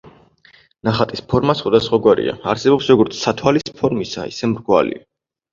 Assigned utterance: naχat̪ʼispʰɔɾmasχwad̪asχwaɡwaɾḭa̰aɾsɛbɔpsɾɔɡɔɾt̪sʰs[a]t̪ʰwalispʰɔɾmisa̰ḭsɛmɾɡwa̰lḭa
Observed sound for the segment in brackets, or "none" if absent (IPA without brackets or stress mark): a